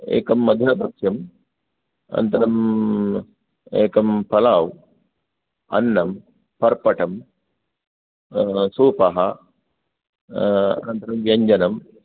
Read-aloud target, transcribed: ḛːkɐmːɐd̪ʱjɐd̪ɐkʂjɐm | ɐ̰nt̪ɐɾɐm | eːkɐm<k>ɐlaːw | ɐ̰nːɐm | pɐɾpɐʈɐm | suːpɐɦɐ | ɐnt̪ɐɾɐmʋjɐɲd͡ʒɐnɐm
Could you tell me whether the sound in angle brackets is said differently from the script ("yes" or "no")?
yes